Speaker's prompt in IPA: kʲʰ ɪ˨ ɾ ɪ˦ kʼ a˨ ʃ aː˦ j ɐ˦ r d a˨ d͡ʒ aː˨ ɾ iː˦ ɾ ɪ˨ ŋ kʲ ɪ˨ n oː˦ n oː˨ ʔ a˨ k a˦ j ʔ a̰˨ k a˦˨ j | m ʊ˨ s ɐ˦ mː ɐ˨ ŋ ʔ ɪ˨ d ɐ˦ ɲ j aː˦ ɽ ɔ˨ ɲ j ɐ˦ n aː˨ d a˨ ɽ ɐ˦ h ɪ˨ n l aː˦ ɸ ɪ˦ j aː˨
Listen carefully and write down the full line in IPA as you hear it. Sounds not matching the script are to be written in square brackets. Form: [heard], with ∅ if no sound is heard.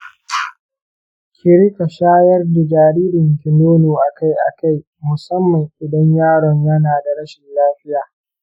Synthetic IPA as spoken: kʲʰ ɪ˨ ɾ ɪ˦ [k] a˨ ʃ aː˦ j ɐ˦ r d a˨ d͡ʒ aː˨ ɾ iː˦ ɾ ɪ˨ ŋ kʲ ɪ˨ n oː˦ n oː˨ ʔ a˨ k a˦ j ʔ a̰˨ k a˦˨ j | m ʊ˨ s ɐ˦ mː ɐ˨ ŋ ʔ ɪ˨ d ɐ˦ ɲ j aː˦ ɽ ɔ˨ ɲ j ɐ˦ n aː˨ d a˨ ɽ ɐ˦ [ʃ] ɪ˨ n l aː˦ ɸ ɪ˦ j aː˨

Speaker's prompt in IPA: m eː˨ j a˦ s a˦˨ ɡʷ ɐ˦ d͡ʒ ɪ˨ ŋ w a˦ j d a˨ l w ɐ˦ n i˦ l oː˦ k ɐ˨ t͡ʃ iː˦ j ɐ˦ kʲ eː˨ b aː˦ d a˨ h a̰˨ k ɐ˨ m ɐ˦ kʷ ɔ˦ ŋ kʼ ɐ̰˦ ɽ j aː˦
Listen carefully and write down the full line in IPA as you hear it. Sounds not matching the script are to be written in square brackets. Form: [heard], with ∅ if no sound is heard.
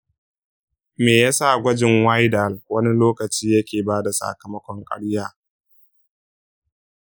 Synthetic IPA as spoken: m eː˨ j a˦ s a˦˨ ɡʷ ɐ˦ d͡ʒ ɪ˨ ŋ w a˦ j d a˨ l w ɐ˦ n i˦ l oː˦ k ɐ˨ t͡ʃ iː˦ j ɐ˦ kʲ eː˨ b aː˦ d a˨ [s] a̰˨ k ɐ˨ m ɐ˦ kʷ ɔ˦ ŋ kʼ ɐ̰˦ ɽ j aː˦

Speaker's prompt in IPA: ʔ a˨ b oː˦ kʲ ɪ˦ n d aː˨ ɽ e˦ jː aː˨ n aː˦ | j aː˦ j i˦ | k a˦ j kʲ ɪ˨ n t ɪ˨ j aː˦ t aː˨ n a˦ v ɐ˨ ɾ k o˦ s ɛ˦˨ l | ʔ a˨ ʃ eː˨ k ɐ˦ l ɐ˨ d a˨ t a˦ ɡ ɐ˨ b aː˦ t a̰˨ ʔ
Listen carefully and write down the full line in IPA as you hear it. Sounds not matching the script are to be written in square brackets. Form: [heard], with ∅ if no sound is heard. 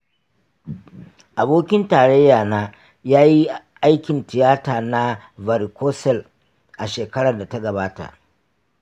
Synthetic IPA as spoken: ʔ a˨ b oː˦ kʲ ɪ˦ n [t] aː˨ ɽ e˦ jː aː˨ n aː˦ | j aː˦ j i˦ | [ʔ] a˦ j kʲ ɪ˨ n t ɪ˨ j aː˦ t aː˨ n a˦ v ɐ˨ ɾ k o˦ s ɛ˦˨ l | ʔ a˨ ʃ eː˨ k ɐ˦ [ɽ] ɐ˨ d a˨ t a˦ ɡ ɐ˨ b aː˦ t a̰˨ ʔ

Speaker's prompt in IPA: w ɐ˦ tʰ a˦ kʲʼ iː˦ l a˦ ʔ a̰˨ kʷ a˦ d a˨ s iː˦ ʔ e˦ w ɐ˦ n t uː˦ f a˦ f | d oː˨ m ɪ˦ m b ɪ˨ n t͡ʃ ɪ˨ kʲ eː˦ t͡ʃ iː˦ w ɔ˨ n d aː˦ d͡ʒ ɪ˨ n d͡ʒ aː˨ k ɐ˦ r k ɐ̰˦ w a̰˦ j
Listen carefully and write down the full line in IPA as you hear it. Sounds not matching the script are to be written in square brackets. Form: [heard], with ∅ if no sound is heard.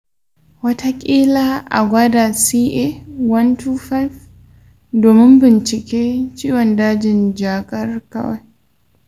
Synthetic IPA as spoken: w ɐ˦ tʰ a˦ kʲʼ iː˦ l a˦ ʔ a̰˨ [ɡʷ] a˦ d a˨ s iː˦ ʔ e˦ w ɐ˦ n t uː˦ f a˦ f | d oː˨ m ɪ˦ m b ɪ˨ n t͡ʃ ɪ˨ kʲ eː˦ t͡ʃ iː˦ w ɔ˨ n d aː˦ d͡ʒ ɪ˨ n d͡ʒ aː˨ [kʼ] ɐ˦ r k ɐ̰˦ w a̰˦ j

